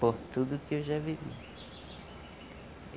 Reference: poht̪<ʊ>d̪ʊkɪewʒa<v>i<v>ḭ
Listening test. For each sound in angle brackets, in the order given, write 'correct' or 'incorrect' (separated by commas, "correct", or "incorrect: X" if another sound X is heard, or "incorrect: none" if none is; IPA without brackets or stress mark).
incorrect: u, correct, correct